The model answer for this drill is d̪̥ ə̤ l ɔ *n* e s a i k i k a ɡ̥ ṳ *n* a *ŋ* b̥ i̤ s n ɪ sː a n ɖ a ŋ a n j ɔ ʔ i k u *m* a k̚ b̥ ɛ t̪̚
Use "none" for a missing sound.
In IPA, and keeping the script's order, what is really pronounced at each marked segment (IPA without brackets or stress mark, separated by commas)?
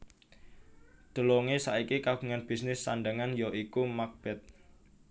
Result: ŋ, ŋ, n, m